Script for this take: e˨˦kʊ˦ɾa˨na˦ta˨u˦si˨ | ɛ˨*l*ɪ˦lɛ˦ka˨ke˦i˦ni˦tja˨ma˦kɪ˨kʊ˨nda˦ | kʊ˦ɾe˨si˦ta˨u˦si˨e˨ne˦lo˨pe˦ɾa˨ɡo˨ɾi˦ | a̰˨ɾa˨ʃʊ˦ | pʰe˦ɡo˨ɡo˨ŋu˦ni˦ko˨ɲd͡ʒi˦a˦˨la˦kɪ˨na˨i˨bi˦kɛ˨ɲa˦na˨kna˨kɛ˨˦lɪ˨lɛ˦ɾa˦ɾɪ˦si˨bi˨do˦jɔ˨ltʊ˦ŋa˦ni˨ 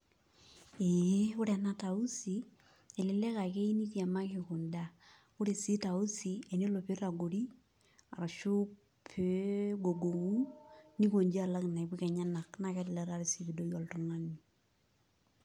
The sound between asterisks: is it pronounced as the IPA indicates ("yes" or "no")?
yes